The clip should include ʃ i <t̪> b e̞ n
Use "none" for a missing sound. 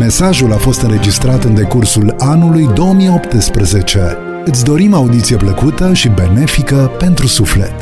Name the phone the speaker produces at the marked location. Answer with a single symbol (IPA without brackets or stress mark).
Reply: none